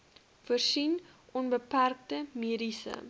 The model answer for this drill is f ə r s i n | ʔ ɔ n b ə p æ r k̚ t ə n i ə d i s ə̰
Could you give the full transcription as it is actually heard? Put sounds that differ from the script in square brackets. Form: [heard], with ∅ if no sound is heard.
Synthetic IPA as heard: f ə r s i n | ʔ ɔ n b ə p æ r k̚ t ə [m] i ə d i s ə̰